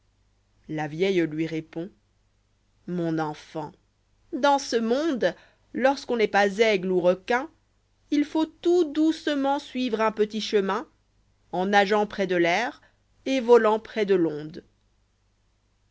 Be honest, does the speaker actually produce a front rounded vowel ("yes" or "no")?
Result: no